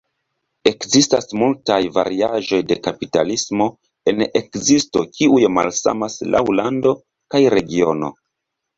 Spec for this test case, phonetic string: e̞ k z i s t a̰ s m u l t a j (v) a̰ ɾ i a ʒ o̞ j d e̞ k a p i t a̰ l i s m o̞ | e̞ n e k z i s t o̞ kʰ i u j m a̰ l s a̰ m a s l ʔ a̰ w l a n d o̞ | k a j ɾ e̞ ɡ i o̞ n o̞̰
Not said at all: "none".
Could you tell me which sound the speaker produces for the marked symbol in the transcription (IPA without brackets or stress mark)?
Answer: v